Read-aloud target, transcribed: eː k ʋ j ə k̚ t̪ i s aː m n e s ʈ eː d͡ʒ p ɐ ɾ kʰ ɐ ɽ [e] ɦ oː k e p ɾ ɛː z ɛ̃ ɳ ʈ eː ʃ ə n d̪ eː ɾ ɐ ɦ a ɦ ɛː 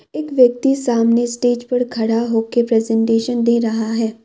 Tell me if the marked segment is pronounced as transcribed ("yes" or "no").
no